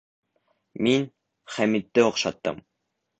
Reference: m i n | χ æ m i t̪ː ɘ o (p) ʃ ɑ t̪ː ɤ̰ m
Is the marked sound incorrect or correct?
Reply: incorrect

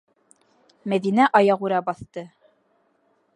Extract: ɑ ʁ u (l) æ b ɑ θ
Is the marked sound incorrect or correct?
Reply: incorrect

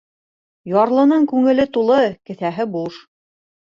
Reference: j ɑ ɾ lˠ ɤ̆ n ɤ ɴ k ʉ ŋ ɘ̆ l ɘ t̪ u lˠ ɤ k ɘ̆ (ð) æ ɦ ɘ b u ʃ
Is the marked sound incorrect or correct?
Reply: incorrect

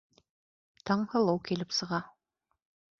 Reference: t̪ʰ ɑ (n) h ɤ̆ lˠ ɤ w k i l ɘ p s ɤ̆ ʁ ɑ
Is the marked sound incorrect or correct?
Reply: incorrect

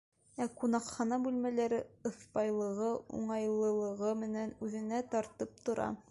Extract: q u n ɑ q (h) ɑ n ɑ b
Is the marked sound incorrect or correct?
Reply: incorrect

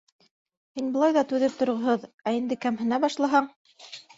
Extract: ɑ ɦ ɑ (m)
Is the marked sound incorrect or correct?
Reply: incorrect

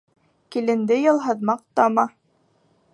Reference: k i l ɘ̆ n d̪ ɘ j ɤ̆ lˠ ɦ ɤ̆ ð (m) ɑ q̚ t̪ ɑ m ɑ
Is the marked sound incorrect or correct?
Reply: correct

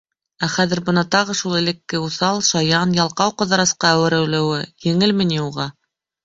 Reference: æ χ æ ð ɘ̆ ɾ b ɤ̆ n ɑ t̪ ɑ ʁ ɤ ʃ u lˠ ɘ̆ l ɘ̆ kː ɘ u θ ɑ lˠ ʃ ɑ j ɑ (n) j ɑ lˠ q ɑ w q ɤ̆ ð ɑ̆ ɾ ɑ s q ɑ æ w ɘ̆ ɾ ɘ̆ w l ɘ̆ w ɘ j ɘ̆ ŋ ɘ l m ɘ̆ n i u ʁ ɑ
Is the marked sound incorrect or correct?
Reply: correct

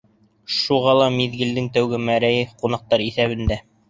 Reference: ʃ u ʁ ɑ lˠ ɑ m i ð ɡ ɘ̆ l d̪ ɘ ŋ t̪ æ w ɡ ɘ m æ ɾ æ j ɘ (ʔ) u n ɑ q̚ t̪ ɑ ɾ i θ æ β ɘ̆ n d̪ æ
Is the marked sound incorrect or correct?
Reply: incorrect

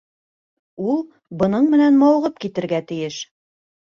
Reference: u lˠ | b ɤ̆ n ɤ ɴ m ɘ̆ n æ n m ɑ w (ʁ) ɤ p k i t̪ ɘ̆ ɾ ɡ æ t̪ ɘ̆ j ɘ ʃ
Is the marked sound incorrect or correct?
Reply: correct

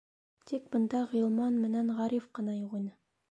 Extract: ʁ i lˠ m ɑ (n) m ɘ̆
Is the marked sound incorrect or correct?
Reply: correct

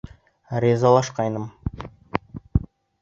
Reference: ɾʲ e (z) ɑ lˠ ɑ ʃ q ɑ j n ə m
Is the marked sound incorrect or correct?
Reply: correct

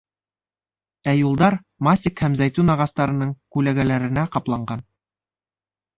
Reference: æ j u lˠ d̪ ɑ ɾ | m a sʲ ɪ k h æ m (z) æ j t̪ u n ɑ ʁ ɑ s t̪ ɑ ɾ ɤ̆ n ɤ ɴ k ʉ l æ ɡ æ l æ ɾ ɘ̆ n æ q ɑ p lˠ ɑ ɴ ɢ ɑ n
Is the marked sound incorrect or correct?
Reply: correct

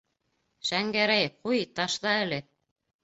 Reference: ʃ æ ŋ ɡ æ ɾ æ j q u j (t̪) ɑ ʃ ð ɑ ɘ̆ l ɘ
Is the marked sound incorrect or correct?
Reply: correct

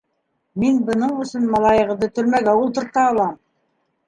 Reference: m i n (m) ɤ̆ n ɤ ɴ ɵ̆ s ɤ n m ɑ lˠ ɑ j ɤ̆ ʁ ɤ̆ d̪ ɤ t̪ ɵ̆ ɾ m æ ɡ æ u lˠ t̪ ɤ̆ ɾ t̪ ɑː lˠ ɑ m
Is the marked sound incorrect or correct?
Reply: incorrect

